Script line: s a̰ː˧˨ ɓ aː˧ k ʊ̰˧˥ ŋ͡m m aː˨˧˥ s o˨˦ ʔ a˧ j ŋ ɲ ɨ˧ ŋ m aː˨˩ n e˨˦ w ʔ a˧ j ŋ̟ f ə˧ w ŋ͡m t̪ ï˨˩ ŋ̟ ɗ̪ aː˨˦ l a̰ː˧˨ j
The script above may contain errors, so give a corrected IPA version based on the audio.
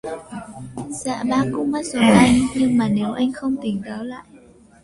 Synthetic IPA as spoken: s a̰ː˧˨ ɓ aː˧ k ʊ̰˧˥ ŋ͡m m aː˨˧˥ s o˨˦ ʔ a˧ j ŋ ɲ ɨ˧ ŋ m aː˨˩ n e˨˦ w ʔ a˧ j ŋ̟ x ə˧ w ŋ͡m t̪ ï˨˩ ŋ̟ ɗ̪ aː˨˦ l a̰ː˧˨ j